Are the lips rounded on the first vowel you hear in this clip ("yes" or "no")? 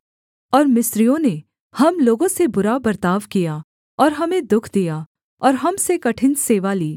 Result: yes